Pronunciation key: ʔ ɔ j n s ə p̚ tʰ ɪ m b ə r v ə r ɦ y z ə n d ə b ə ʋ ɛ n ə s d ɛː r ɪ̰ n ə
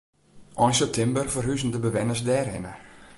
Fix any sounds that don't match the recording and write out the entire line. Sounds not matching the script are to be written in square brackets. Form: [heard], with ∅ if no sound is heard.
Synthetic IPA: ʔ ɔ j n s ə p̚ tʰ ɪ m b ə r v ə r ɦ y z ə n d ə b ə ʋ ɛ n ə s d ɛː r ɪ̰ n ə

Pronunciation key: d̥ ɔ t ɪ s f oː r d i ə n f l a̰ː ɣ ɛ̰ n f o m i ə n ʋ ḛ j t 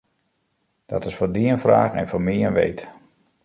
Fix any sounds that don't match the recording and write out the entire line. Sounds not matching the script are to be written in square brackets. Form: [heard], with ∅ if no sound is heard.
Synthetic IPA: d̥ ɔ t ɪ s f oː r d i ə n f [r] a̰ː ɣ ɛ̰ n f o m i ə n ʋ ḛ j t

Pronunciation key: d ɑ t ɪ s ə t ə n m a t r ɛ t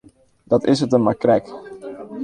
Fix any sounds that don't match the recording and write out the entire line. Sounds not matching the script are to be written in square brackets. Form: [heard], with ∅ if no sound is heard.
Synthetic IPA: d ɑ t ɪ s ə t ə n m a [k] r ɛ [k]

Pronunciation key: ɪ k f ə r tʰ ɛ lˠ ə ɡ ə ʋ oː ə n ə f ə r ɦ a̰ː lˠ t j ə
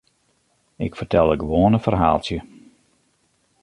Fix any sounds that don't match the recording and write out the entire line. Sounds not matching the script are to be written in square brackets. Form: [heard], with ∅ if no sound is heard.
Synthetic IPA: ɪ k f ə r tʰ ɛ lˠ ə ɡ ə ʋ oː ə n ə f ə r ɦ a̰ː lˠ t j ə

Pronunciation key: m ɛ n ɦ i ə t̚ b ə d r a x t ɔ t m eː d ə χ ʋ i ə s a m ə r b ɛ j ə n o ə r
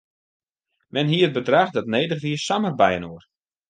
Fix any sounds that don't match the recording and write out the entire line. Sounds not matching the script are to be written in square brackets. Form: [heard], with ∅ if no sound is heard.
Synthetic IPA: m ɛ n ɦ i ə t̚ b ə d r a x [d] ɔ t [n] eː d ə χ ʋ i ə s a m ə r b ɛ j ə n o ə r

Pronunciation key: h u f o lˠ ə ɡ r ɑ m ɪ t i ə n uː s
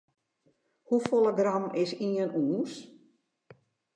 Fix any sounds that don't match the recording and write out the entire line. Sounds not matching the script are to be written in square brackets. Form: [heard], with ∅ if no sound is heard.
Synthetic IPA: h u f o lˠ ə ɡ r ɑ m ɪ [s] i ə n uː s

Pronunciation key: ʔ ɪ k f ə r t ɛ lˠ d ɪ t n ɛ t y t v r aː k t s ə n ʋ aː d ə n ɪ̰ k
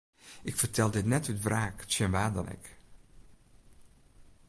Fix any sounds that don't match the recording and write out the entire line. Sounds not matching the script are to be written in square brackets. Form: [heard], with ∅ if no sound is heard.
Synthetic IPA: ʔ ɪ k f ə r t ɛ lˠ d ɪ t n ɛ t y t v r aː k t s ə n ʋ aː d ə n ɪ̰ k

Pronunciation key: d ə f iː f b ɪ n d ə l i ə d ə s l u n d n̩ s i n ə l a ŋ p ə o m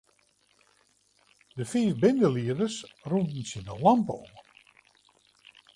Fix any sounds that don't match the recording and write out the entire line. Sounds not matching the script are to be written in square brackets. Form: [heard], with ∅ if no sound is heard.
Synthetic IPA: d ə f iː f b ɪ n d ə l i ə d ə s [r] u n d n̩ s i n ə l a [m] p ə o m

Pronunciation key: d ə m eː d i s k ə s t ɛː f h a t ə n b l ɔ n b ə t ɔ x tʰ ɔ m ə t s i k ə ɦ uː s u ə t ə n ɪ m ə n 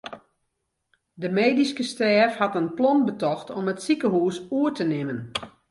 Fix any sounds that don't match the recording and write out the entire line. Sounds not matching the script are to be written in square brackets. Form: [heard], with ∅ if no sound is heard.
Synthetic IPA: d ə m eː d i s k ə s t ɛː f h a t ə n [p] l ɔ n b ə t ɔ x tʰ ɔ m ə t s i k ə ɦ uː s u ə t ə n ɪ m ə n

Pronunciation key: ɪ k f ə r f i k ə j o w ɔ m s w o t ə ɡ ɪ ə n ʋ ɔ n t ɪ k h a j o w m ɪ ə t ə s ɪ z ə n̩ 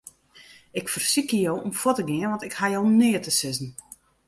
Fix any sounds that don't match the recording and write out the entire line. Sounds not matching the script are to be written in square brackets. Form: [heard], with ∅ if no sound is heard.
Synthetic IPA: ɪ k f ə r [s] i k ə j o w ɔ m [f] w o t ə ɡ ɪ ə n ʋ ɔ n t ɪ k h a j o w [n] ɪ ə t ə s ɪ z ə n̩

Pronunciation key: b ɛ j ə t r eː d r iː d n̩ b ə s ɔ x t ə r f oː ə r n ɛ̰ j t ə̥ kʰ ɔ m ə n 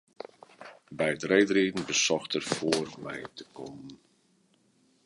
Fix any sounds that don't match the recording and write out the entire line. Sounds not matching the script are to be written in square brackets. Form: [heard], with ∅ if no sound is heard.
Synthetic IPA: b ɛ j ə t r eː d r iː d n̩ b ə s ɔ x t ə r f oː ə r [m] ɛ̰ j t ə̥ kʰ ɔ m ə n

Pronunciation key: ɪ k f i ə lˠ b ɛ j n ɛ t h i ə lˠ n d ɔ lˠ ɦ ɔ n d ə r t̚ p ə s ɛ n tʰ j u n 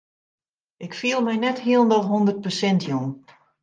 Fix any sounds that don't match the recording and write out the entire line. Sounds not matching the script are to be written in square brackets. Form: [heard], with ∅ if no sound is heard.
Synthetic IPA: ɪ k f i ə lˠ [m] ɛ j n ɛ t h i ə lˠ n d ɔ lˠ ɦ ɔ n d ə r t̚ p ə s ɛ n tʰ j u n

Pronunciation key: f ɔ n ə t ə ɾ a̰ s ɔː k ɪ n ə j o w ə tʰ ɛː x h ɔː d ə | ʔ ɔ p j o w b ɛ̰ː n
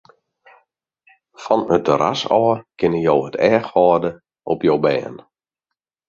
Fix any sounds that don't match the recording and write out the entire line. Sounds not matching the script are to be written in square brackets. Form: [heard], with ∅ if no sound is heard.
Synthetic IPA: f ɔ n ə t ə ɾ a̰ s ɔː k ɪ n ə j o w ə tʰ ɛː x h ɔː d ə | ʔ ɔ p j o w b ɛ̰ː n

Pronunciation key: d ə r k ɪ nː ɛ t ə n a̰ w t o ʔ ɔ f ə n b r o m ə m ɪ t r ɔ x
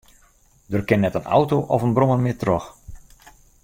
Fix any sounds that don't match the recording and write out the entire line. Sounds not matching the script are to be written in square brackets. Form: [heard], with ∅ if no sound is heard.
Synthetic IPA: d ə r k ɪ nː ɛ t ə n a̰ w t o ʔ ɔ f ə n b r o m ə m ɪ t r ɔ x

